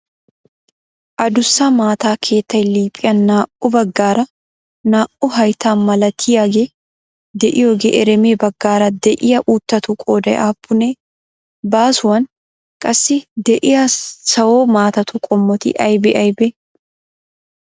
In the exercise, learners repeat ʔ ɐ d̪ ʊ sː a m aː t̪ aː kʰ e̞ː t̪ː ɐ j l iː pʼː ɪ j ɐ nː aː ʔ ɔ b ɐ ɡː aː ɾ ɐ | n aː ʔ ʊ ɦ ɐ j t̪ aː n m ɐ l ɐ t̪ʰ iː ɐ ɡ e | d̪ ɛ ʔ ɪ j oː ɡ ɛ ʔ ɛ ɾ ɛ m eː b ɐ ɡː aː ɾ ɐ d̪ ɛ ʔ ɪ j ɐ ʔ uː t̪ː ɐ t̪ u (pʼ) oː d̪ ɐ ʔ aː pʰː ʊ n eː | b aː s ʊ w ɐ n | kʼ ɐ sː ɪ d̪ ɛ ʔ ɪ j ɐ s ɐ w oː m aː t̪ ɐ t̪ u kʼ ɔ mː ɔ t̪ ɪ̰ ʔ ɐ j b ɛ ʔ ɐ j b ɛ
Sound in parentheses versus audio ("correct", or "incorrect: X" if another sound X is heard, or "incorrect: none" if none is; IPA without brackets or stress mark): incorrect: kʼ